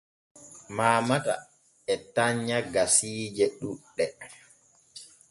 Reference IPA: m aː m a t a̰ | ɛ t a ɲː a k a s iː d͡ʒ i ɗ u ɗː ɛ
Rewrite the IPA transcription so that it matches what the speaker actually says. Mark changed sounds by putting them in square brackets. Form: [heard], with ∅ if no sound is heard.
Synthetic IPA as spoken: m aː m a t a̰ | ɛ t a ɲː a [ɡ] a s iː d͡ʒ [ɛ] ɗ u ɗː ɛ

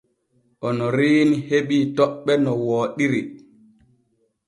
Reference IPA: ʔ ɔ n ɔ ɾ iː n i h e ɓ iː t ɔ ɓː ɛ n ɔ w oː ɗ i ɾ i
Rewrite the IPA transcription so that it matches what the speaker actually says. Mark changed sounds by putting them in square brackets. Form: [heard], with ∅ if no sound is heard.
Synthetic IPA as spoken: ʔ ɔ n ɔ ɾ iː n i h e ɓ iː t ɔ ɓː ɛ n ɔ w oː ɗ i ɾ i

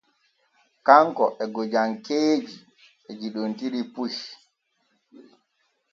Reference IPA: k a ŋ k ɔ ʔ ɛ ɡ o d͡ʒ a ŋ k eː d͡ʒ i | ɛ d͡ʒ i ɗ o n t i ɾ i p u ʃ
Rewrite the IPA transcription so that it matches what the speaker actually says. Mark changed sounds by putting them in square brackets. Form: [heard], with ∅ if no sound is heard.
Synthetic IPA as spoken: k a ŋ k ɔ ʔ ɛ ɡ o d͡ʒ a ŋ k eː d͡ʒ i | ɛ d͡ʒ i ɗ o n t i ɾ i p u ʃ

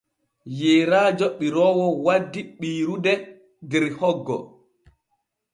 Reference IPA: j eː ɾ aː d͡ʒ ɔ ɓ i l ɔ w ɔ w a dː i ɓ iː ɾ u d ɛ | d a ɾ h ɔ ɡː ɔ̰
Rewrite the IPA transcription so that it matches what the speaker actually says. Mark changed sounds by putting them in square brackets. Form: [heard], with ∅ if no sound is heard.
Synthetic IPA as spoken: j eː ɾ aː d͡ʒ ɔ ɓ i [ɾ] ɔ w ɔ w a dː i ɓ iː ɾ u d ɛ | d [ɛ] ɾ h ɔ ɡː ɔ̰

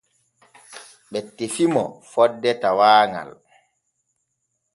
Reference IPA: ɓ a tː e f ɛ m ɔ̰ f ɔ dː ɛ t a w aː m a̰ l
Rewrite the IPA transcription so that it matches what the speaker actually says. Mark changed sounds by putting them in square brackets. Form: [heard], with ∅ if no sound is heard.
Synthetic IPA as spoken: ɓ [ɛ] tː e f [i] m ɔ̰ f ɔ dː ɛ t a w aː [ŋ] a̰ l

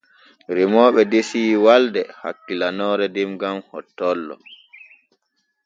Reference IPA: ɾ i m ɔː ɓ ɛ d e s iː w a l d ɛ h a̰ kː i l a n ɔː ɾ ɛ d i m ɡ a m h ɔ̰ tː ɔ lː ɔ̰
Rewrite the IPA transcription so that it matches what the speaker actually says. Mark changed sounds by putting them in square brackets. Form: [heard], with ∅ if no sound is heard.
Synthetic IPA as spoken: ɾ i m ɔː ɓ ɛ d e s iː w a l d ɛ h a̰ kː i l a n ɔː ɾ ɛ d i m ɡ a m h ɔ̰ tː ɔ lː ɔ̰

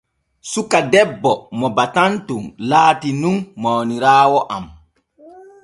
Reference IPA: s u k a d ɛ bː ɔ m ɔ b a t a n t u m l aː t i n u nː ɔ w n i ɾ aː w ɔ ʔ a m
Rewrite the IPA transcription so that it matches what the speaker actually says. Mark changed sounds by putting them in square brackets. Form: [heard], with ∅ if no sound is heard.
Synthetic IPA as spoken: s u k a d ɛ bː ɔ m ɔ b a t a n t u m l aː t i n u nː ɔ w n i ɾ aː w ɔ ʔ a m

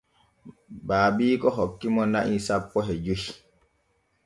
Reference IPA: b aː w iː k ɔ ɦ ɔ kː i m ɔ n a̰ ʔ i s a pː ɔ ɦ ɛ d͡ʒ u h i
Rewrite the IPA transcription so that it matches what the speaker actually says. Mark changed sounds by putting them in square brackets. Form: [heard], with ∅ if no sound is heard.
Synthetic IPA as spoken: b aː [b] iː k ɔ ɦ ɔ kː i m ɔ n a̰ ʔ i s a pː ɔ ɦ ɛ d͡ʒ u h i

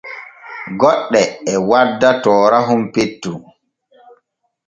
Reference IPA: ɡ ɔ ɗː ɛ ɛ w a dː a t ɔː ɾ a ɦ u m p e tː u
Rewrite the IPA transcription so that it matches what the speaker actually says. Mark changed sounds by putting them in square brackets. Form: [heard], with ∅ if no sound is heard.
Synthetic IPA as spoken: ɡ ɔ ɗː ɛ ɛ w a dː a t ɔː ɾ a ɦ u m p e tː u

